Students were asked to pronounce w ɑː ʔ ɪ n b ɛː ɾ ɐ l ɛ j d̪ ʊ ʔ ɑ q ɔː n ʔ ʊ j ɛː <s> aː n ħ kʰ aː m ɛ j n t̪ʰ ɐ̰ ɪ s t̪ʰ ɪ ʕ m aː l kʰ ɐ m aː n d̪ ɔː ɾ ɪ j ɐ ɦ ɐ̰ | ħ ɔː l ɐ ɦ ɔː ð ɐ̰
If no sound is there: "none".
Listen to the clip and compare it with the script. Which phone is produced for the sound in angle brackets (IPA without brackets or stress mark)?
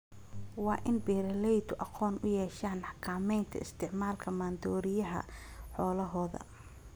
ʃ